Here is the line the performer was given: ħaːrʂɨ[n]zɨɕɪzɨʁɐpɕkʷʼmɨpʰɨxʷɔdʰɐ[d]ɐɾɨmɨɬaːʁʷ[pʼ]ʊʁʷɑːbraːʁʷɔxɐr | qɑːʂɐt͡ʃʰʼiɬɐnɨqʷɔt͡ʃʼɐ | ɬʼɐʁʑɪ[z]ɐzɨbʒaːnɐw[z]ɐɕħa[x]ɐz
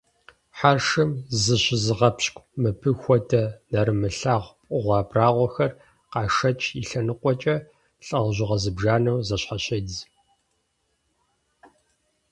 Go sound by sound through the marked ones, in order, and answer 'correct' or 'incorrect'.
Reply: incorrect: m, incorrect: n, correct, incorrect: ʁ, correct, incorrect: ɕ

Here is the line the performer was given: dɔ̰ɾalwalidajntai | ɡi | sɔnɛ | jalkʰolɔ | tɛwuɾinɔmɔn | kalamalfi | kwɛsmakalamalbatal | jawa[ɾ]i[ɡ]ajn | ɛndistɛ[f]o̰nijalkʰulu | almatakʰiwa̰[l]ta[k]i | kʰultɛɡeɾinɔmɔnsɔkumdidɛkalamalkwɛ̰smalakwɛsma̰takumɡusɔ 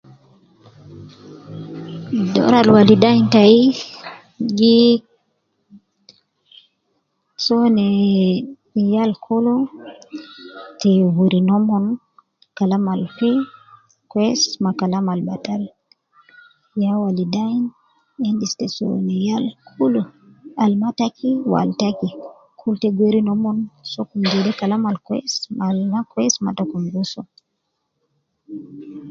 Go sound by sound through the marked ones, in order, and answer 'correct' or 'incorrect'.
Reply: incorrect: l, incorrect: d, incorrect: s, correct, correct

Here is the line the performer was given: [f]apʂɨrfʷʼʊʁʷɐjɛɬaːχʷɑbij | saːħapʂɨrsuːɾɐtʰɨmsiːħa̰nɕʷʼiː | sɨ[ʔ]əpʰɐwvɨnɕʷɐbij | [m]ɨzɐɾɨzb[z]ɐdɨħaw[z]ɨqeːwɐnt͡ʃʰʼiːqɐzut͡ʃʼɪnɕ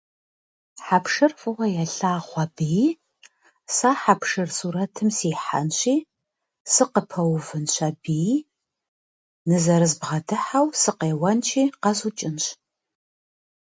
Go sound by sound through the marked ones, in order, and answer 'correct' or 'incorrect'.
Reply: incorrect: ħ, incorrect: q, incorrect: n, incorrect: ʁ, incorrect: s

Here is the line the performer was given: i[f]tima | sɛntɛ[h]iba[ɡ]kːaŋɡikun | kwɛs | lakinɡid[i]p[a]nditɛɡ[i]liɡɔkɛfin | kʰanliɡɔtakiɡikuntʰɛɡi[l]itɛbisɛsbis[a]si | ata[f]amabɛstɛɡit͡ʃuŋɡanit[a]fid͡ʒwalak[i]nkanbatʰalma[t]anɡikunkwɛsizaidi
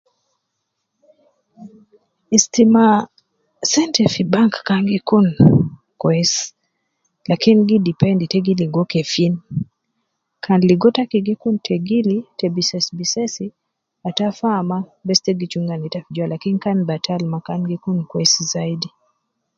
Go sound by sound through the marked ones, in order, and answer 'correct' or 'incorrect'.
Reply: incorrect: s, incorrect: f, incorrect: ŋ, correct, incorrect: ɛ, correct, correct, incorrect: ɛ, correct, correct, correct, incorrect: k

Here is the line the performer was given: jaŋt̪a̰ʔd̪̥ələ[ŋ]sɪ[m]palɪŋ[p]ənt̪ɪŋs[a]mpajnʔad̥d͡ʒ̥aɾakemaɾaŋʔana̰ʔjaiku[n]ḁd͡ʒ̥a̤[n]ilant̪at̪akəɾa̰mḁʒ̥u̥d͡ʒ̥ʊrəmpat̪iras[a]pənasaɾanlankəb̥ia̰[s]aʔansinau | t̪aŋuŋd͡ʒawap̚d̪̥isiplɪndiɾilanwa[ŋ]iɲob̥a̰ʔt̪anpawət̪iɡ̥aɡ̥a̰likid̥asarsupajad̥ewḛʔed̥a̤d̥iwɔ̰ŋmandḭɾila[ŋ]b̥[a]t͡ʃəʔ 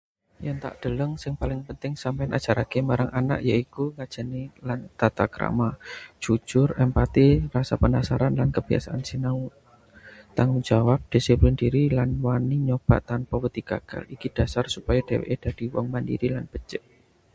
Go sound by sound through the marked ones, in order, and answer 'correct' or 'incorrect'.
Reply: correct, incorrect: ŋ, correct, correct, incorrect: ŋ, correct, correct, correct, incorrect: n, incorrect: n, incorrect: ə

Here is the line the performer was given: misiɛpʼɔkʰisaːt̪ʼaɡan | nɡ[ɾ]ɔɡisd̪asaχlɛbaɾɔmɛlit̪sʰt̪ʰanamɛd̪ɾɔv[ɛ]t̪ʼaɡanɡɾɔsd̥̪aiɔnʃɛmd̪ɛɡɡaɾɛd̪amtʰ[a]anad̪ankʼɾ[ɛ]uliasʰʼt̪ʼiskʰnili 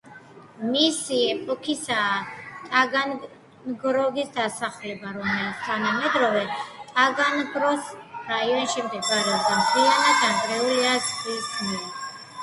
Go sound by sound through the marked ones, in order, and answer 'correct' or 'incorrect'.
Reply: correct, correct, incorrect: i, correct

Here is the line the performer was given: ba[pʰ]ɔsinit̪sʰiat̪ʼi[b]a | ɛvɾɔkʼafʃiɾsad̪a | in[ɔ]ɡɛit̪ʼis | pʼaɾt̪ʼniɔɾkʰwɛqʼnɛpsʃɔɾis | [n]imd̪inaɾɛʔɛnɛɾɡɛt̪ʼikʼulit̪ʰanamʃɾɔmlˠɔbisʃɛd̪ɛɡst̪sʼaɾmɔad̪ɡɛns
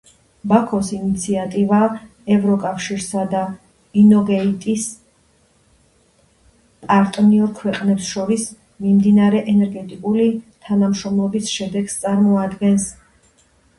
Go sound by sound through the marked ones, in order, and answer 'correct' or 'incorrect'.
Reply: incorrect: kʰ, incorrect: v, correct, incorrect: m

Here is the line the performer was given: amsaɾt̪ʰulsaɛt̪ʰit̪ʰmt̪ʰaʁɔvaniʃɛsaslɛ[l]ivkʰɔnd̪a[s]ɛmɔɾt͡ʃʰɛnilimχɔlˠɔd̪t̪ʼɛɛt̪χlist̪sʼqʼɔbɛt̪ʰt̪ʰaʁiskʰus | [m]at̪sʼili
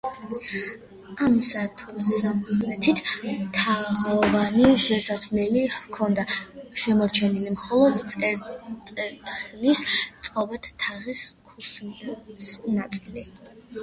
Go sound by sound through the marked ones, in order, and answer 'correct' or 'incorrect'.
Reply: correct, incorrect: ʃ, incorrect: n

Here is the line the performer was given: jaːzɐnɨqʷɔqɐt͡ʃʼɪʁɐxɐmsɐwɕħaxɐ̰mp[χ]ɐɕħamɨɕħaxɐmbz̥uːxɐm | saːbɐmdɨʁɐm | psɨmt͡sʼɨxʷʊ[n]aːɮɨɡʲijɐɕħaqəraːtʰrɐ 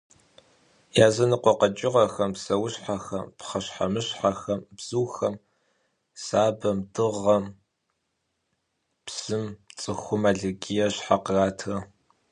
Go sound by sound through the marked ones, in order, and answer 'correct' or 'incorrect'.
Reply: correct, incorrect: m

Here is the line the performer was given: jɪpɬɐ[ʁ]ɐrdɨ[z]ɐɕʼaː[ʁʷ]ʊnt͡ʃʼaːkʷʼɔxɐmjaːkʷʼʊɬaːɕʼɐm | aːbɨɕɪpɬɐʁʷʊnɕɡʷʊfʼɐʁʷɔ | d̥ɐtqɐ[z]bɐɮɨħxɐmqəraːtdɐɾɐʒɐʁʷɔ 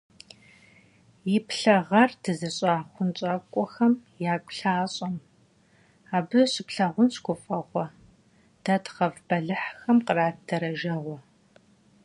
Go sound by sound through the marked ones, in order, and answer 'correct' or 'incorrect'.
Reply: correct, correct, incorrect: χʷ, incorrect: v

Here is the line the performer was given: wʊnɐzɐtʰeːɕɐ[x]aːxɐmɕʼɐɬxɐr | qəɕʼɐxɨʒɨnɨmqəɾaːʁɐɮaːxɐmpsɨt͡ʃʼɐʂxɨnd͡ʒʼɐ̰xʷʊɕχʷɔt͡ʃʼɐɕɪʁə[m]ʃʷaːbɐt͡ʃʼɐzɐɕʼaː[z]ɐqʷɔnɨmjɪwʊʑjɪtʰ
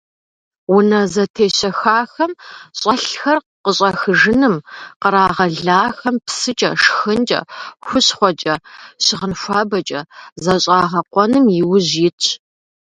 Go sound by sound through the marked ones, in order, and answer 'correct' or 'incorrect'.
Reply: correct, incorrect: n, incorrect: ʁ

